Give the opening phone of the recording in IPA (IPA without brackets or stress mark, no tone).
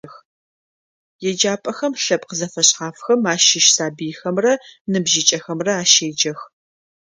x